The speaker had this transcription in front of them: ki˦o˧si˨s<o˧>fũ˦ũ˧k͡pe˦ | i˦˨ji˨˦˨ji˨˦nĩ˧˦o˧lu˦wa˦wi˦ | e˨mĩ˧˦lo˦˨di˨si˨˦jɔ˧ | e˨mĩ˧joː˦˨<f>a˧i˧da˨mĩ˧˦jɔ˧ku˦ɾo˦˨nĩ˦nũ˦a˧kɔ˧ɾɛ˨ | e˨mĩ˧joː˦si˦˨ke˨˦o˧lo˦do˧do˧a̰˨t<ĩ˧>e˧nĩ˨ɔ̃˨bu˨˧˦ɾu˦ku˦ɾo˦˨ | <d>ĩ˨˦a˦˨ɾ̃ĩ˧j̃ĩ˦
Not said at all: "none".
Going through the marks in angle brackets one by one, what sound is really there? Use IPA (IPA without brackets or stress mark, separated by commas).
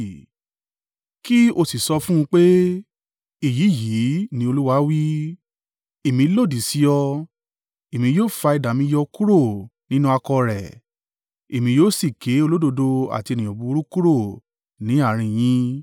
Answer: ɔ˧, f, i˧, n